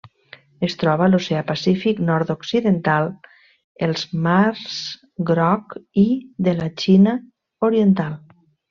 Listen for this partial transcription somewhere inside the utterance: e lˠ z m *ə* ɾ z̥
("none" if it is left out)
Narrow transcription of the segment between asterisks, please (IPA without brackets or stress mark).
a